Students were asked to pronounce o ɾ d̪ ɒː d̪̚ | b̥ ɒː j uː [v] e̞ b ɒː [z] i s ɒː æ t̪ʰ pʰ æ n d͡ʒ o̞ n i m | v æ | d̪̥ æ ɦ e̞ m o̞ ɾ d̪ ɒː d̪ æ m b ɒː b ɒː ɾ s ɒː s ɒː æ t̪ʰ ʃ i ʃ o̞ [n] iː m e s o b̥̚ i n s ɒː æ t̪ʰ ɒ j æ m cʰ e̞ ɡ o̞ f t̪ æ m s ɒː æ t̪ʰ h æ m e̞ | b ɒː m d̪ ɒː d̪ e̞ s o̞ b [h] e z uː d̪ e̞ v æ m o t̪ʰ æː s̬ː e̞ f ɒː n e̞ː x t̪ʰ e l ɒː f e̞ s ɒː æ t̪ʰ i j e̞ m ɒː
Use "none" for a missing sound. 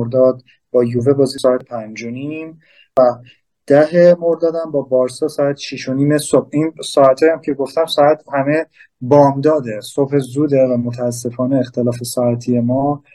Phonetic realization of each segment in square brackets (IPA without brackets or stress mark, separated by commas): v, z, n, h